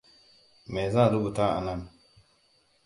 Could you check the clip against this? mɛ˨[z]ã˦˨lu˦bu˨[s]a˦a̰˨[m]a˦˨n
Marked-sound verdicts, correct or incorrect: correct, incorrect: t, incorrect: n

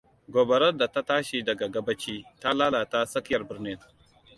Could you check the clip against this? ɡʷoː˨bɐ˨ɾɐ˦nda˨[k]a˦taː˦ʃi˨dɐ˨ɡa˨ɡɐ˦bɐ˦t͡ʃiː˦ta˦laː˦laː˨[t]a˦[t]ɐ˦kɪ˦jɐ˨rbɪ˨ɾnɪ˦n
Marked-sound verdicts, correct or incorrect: incorrect: t, correct, incorrect: s

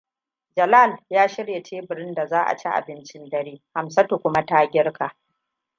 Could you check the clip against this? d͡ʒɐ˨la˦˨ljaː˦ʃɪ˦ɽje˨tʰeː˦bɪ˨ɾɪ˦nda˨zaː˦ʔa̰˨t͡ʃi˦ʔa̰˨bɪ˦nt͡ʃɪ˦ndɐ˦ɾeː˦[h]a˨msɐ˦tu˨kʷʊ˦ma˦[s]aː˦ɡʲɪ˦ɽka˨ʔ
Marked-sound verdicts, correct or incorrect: correct, incorrect: t

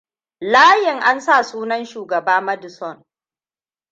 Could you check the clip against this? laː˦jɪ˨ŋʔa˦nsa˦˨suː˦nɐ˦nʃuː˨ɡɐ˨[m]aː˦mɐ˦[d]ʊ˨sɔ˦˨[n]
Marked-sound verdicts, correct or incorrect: incorrect: b, correct, correct

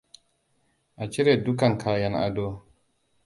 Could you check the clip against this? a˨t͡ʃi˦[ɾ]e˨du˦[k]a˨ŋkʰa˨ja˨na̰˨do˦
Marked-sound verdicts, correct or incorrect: correct, correct

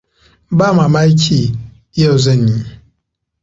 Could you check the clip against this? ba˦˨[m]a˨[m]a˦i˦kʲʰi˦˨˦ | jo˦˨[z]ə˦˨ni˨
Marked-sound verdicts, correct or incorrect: correct, correct, correct

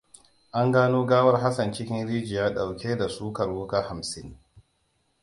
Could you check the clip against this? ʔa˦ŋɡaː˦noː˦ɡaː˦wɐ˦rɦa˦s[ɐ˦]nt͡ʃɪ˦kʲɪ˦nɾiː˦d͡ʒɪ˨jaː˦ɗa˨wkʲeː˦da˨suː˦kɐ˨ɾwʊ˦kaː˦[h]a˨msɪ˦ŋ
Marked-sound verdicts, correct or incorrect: incorrect: ɐ˨, correct

